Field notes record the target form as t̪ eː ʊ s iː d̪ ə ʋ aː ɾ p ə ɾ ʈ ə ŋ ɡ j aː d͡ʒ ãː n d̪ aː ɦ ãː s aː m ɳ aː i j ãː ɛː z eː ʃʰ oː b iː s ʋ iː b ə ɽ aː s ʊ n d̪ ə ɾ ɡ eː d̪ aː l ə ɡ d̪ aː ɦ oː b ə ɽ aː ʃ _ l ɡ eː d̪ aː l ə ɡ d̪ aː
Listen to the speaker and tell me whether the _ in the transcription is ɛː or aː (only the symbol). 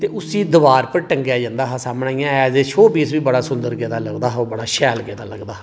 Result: ɛː